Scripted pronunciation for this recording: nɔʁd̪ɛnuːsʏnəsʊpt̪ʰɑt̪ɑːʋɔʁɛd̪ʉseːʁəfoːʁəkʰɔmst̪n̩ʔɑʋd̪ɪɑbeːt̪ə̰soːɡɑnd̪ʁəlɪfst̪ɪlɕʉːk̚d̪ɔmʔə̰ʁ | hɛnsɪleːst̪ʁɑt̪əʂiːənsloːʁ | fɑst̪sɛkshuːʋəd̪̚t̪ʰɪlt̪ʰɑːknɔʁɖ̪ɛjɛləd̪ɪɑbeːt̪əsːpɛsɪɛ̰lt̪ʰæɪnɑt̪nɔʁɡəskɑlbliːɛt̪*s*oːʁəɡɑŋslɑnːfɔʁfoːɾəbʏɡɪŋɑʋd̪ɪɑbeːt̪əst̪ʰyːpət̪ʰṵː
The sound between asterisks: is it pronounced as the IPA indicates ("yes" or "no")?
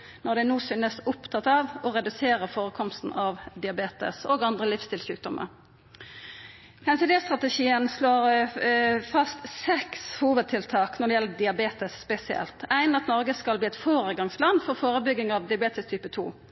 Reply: no